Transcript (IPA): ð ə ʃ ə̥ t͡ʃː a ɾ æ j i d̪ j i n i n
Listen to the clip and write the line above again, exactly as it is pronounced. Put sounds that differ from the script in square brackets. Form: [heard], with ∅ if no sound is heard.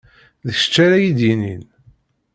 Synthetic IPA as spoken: ð ə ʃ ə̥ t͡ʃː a ɾ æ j i d̪ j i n i n